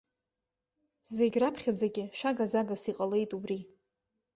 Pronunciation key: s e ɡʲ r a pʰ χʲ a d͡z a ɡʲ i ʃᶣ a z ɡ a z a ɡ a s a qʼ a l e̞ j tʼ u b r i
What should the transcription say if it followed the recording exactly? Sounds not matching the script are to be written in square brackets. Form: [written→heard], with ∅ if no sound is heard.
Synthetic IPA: [s→z] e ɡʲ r a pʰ χʲ a d͡z a ɡʲ [i→ɪ] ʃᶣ a [z→∅] ɡ a z a ɡ a s [a→i] qʼ a l e̞ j tʼ u b r i